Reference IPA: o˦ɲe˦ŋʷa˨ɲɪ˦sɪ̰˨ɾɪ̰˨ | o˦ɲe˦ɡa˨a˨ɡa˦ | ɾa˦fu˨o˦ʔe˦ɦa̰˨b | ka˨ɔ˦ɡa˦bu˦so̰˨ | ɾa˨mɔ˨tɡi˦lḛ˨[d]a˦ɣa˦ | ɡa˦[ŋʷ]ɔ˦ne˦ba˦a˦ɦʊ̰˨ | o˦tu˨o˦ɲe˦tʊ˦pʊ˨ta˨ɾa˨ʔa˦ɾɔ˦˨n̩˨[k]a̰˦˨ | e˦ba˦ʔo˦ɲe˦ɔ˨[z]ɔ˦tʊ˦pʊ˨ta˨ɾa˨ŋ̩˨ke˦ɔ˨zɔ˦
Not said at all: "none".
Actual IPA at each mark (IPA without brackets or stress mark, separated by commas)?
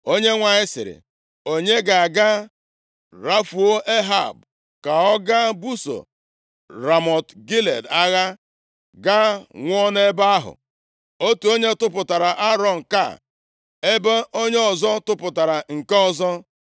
d, ŋʷ, k, z